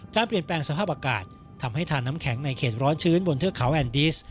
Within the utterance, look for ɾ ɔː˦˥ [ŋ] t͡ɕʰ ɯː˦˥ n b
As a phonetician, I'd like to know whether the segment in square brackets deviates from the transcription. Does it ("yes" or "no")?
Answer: yes